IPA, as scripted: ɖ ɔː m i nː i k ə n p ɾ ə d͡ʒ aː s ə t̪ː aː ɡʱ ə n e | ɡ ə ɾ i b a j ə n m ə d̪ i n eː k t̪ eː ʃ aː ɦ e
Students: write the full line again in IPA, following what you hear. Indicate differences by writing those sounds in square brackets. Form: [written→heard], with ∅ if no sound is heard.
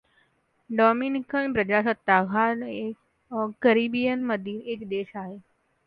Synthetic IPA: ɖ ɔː m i [nː→n] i k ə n p ɾ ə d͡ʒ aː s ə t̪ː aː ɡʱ [ə→a] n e | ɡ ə ɾ i b [a→i] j ə n m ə d̪ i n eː k [t̪→d̪] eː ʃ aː ɦ e